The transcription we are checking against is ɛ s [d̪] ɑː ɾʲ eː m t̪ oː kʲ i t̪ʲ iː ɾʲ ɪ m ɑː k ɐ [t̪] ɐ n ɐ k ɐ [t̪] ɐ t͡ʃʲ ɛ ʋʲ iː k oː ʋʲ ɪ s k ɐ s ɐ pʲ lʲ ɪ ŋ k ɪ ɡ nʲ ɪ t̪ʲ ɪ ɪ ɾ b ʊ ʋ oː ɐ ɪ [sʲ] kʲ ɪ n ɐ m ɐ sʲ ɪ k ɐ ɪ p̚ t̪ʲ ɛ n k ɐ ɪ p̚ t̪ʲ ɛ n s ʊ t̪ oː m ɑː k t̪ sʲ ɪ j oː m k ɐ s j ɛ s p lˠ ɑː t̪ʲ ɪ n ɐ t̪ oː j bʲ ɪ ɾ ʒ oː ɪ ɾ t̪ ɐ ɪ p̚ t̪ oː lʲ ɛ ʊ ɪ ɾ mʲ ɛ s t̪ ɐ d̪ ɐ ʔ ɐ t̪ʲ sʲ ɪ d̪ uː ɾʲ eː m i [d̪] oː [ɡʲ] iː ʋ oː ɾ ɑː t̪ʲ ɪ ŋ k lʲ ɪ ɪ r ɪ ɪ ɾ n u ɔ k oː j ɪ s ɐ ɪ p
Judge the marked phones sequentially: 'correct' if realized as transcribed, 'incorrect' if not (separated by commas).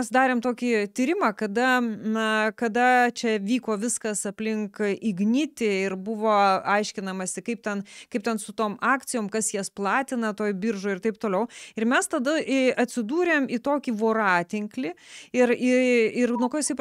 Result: correct, incorrect, incorrect, incorrect, incorrect, incorrect